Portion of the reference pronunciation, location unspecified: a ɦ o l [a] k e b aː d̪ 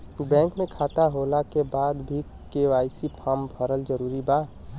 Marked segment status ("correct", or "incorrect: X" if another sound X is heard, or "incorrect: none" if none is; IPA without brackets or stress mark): correct